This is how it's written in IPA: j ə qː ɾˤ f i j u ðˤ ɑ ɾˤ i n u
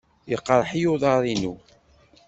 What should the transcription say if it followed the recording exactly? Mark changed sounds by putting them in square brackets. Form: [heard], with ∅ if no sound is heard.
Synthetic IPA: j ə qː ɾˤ [ħ] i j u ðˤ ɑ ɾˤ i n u